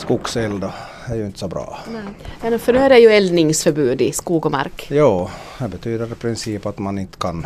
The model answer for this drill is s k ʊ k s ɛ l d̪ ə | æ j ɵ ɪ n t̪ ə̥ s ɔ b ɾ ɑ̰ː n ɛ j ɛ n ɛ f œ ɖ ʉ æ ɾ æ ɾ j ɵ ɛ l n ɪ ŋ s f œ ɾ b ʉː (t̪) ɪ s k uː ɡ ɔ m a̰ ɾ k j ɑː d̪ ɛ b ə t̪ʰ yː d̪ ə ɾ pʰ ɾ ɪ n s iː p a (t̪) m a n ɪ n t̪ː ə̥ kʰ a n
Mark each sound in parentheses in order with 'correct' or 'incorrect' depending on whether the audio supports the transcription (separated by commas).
incorrect, correct